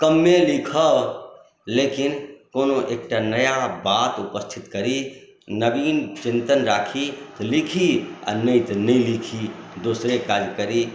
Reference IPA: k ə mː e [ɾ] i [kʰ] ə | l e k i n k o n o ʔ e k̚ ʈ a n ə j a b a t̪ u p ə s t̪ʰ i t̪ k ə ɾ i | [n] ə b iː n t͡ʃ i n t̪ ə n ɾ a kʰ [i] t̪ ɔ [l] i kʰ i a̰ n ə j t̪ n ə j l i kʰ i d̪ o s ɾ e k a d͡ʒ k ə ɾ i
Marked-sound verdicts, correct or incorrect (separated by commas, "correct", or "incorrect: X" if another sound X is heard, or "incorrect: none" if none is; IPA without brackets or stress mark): incorrect: l, correct, correct, correct, correct